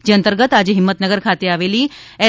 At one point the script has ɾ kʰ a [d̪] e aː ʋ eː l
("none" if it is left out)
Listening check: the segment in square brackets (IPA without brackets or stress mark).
t̪